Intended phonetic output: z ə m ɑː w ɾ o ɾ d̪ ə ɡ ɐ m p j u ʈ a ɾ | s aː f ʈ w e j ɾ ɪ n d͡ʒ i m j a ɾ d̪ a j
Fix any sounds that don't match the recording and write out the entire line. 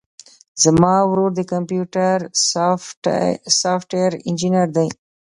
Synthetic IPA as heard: z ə m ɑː w ɾ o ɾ d̪ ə k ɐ m p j u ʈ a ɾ | s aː f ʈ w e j ɾ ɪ n d͡ʒ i n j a ɾ d̪ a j